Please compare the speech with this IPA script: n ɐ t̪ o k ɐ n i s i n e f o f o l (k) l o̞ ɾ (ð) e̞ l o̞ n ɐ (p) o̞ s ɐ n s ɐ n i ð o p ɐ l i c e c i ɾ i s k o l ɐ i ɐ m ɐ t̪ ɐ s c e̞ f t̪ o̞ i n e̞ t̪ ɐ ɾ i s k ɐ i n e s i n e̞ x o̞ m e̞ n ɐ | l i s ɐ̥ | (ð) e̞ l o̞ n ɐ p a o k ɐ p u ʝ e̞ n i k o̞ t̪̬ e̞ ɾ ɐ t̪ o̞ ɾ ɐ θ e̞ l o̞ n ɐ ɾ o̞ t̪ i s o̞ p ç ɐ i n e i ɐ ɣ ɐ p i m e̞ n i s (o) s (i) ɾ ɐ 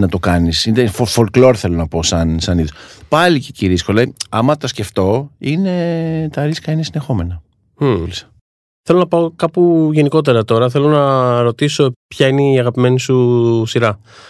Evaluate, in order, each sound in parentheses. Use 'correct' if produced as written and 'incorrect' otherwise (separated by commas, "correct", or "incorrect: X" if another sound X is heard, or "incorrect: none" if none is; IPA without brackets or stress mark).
correct, incorrect: θ, correct, incorrect: θ, incorrect: u, correct